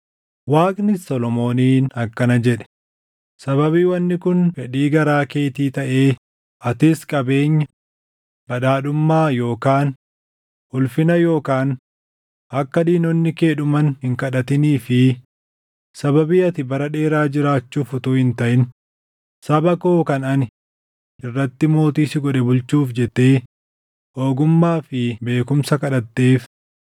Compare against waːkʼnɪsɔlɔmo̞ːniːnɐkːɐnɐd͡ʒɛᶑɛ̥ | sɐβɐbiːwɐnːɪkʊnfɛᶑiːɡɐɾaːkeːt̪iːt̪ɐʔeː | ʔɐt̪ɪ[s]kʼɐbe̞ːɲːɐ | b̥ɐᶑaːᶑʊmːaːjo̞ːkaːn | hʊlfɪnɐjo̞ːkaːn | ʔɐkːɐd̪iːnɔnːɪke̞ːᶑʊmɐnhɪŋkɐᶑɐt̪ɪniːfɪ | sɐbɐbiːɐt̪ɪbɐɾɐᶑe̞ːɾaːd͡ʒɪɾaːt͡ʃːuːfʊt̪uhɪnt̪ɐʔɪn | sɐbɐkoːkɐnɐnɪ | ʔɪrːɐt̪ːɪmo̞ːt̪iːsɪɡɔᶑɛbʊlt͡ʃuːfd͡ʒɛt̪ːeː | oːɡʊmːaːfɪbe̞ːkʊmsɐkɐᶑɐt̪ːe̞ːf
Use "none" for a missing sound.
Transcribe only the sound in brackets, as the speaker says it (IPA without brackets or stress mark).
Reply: s